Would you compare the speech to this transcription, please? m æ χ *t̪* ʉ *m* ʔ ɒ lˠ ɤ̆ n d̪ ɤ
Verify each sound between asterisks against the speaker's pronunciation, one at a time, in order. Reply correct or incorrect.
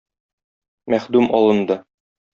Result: incorrect, correct

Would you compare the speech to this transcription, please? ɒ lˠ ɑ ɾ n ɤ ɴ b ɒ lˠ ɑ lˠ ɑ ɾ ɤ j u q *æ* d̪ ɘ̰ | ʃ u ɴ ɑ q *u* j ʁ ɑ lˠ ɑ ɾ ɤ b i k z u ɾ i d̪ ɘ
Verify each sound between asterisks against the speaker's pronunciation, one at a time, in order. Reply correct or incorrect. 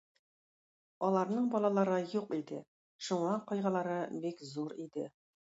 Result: incorrect, incorrect

